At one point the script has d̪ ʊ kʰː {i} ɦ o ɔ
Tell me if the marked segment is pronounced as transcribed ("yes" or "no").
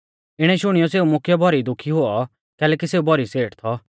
yes